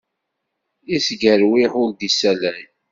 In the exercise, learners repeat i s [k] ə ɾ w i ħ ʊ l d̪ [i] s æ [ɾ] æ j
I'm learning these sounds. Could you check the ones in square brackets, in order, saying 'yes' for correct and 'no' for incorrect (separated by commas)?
no, yes, no